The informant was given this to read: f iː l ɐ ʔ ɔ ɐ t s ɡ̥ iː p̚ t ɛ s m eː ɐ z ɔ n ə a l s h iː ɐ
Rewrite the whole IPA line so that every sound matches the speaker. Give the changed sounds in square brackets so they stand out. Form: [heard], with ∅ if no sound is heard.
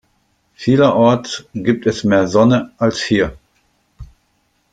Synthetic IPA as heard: f iː l ɐ ʔ ɔ ɐ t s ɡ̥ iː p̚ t ɛ s m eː ɐ z ɔ n ə a l s h iː ɐ